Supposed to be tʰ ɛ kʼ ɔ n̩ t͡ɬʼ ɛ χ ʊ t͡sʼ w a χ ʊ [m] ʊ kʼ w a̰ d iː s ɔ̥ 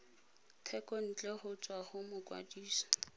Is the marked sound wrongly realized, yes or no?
no